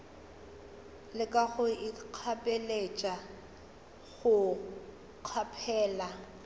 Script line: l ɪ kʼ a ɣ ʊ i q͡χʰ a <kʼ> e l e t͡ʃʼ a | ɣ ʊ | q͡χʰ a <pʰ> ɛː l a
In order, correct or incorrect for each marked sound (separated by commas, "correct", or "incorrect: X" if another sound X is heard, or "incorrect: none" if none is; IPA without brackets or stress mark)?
incorrect: pʼ, correct